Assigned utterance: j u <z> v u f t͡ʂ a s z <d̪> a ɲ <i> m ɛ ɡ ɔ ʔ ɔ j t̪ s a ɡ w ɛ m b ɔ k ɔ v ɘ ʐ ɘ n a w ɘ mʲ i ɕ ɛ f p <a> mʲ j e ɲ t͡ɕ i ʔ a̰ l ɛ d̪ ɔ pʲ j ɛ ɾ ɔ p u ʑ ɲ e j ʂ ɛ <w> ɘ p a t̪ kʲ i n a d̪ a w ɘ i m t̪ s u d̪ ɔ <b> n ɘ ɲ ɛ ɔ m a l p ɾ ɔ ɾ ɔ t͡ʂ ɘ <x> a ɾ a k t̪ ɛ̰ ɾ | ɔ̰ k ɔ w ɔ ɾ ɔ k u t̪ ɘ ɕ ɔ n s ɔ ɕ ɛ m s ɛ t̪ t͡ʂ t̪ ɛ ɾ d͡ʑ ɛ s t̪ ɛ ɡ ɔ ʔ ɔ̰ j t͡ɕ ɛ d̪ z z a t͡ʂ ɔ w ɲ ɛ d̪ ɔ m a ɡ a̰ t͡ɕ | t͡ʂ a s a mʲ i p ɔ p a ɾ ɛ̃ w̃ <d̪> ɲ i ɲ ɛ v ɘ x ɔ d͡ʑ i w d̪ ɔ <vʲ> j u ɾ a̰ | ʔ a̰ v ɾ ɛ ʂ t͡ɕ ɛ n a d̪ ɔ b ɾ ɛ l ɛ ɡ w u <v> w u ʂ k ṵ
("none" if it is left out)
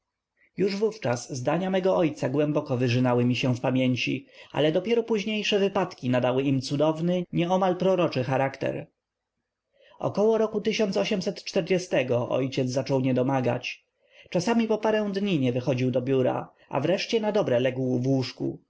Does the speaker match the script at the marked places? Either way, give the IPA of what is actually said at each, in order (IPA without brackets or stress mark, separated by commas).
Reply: ʐ, d̪, a, a, v, v, x, d̪, bʲ, v